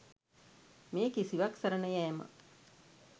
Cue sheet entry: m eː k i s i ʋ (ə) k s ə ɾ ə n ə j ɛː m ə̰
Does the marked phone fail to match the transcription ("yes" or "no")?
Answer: yes